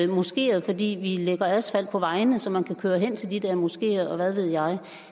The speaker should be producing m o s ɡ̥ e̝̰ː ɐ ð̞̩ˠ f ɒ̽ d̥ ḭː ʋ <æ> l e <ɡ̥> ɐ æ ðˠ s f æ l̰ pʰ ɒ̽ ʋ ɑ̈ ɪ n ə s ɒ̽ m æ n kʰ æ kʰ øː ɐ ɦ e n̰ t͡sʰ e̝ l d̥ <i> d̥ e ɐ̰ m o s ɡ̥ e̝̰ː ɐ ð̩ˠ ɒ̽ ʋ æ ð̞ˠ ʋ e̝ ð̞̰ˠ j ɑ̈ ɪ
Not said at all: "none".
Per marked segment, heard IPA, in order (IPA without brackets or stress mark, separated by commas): i, ɡ̥, i